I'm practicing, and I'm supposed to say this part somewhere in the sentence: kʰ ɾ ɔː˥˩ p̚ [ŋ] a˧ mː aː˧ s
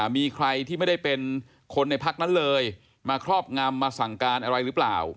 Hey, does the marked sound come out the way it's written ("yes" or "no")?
yes